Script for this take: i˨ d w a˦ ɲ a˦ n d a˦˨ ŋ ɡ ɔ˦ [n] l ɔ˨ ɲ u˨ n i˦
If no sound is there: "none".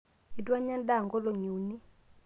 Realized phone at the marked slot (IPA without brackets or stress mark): none